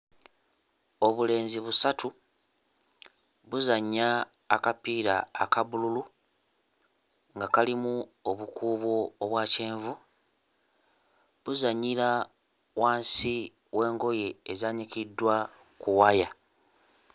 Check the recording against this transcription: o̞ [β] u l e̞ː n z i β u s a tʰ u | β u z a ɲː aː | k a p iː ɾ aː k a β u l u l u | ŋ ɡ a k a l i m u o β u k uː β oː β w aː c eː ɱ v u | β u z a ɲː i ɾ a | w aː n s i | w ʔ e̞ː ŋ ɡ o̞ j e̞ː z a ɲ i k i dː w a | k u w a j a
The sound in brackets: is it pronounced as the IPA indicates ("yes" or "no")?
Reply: yes